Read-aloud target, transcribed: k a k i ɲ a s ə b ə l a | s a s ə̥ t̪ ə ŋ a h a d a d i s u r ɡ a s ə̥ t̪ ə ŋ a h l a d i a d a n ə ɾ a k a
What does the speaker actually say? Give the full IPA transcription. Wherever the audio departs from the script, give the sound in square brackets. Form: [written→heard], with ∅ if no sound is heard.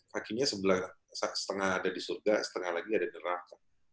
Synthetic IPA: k a k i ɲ a s ə b ə l a | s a s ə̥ t̪ ə ŋ a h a d a d i s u r ɡ a s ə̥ t̪ ə ŋ a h l a [d→ɡ] i a d a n ə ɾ a k a